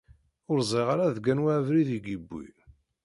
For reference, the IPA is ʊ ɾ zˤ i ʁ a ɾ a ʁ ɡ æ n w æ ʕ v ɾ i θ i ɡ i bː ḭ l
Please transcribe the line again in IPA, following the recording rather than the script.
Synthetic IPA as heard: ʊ ɾ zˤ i ʁ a ɾ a ð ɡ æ n w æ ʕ v ɾ i ð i ɡ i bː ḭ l